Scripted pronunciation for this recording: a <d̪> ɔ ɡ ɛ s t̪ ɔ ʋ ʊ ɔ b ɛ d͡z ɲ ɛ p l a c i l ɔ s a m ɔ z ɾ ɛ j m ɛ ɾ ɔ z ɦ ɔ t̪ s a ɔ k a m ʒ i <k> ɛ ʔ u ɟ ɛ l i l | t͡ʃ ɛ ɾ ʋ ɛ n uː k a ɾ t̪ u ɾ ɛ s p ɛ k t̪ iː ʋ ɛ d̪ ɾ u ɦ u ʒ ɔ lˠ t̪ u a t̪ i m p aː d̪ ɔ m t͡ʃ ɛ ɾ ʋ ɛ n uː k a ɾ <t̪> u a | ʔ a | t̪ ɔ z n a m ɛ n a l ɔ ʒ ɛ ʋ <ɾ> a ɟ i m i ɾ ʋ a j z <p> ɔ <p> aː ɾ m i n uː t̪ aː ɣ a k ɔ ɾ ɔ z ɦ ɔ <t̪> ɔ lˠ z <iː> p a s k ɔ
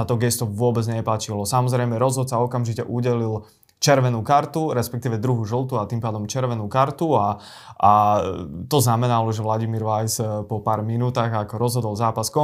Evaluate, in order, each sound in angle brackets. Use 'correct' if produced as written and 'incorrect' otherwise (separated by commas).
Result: incorrect, incorrect, correct, incorrect, correct, correct, incorrect, incorrect